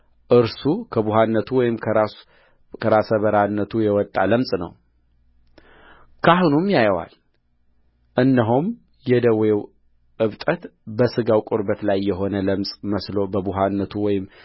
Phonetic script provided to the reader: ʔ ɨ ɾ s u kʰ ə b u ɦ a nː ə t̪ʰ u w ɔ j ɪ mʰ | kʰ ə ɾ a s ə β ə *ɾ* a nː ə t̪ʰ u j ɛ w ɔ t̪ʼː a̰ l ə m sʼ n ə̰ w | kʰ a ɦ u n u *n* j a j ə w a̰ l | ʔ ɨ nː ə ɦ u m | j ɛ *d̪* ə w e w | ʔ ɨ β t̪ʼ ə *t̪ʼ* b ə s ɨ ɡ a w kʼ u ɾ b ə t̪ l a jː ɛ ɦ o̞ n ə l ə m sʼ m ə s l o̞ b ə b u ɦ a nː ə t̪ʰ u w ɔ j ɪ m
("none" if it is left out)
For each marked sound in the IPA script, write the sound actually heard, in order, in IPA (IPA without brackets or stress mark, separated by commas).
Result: ɾ, m, d̪, t̪